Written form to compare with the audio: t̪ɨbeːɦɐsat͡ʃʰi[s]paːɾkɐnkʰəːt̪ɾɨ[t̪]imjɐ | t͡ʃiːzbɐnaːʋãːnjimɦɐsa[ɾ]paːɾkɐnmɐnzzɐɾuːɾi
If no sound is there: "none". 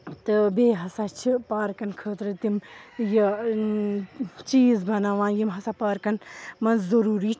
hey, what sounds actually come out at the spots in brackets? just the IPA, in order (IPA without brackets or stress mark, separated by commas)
none, t̪, none